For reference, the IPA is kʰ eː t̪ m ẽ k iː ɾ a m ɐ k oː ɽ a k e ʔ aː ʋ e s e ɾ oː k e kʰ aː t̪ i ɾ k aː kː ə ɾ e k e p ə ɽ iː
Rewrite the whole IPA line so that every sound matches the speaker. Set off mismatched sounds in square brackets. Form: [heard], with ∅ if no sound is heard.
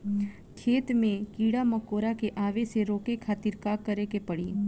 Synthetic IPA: kʰ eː t̪ m ẽ k iː [ɽ] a m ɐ k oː [ɾ] a k e ʔ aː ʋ e s e ɾ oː k e kʰ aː t̪ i ɾ k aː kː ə ɾ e k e p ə ɽ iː